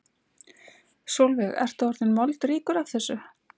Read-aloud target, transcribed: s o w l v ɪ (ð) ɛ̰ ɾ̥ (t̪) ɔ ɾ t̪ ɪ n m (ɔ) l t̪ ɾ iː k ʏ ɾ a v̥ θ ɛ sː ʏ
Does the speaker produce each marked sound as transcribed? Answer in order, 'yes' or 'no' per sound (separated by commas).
no, yes, yes